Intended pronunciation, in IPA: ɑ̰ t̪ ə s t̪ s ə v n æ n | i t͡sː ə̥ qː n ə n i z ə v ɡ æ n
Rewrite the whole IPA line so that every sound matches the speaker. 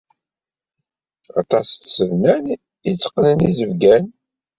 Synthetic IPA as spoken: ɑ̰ t̪ ɑ s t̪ s ə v n æ n | i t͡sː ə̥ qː n ə n i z ə v ɡ æ n